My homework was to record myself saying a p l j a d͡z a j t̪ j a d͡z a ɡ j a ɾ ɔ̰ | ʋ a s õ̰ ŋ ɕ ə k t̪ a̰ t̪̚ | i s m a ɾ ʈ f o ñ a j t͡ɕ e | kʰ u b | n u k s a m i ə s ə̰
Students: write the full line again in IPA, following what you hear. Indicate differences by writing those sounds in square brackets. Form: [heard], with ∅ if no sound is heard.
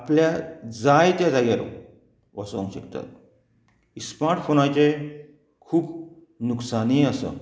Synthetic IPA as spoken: a p l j a d͡z a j t̪ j a d͡z a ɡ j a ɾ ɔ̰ | ʋ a s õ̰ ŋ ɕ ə k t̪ a̰ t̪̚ | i s m a ɾ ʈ f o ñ a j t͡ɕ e | kʰ [uː] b | n u k s a [n] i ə s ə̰